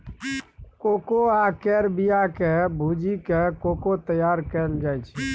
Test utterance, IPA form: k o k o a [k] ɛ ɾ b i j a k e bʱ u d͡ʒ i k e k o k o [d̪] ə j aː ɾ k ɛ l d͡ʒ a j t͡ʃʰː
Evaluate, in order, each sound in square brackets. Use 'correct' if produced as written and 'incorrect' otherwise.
correct, incorrect: t̪

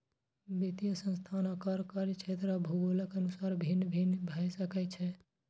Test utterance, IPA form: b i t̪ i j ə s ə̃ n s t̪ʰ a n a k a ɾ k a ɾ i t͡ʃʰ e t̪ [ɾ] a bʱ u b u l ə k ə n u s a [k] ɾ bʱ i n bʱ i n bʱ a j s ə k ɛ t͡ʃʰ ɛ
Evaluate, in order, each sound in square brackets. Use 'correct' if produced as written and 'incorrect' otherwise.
correct, incorrect: none

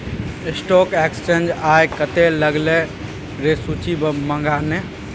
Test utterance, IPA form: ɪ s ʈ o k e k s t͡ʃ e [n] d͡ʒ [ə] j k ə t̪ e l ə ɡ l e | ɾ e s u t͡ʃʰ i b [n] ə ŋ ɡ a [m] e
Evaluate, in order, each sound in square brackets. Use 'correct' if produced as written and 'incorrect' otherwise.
correct, incorrect: a, incorrect: m, incorrect: n

